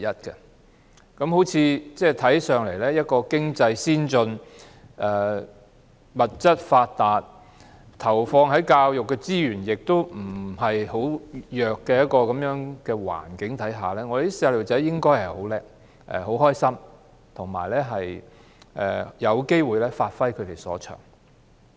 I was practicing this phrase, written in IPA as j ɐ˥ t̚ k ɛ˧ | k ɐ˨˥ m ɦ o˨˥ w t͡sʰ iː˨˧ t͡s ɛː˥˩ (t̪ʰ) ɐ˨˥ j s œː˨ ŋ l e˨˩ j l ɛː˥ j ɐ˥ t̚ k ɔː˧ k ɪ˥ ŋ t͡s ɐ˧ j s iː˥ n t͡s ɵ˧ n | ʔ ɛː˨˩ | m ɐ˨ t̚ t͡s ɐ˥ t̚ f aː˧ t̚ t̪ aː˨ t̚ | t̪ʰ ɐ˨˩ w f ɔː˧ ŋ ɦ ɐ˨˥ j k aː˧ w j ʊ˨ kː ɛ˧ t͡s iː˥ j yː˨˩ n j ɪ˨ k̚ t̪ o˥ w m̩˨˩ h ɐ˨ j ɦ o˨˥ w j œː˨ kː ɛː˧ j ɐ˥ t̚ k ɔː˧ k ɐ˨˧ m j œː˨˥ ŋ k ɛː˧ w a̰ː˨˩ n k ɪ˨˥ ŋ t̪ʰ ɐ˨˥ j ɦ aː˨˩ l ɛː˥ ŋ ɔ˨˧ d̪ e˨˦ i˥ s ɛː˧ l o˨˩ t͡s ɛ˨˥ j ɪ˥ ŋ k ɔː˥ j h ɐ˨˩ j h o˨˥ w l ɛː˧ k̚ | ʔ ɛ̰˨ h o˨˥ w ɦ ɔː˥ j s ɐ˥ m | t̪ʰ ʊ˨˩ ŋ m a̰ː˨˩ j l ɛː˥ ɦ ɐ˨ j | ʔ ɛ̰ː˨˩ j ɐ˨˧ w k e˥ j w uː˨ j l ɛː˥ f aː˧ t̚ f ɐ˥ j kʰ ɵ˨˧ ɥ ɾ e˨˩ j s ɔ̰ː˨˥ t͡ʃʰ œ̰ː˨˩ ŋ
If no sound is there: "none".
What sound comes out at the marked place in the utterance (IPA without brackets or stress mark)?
t̪ʰ